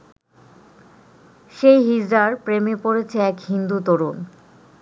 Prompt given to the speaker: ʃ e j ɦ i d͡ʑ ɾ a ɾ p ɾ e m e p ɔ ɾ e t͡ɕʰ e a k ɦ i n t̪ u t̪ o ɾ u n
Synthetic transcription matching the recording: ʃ e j ɦ i d͡ʑ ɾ a ɾ p ɾ e m e p o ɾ e t͡ɕʰ e ɛ k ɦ i n d̪ u t̪ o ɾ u n